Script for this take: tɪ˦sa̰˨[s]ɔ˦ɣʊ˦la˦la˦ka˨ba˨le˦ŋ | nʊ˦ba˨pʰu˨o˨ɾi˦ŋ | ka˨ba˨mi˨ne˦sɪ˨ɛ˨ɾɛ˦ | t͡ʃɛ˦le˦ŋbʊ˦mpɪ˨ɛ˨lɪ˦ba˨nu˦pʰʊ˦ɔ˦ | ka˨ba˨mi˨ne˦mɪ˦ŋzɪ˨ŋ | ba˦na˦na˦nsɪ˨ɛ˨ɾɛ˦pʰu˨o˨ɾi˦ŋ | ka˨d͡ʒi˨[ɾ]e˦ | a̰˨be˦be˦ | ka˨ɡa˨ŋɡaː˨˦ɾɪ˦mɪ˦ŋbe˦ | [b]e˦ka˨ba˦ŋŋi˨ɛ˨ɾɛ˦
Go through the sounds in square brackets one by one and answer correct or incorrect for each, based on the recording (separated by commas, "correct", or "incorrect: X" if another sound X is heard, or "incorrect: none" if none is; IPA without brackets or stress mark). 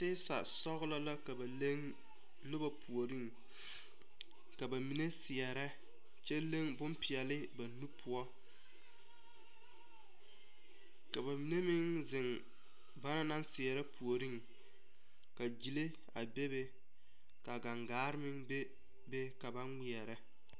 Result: correct, incorrect: l, correct